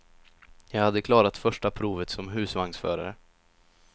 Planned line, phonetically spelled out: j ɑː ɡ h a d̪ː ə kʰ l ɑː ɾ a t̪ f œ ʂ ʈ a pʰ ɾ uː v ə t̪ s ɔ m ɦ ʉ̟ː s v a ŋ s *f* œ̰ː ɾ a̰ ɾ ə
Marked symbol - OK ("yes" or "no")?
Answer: yes